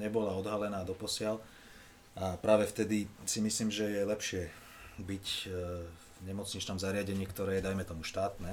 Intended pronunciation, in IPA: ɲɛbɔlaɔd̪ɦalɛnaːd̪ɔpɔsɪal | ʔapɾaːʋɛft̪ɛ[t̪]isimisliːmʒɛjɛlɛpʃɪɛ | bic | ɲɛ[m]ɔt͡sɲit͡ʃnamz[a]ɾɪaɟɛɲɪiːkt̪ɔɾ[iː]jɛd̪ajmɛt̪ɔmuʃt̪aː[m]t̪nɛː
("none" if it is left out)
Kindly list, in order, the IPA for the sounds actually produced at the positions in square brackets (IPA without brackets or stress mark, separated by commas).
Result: d̪, m, a, ɛː, none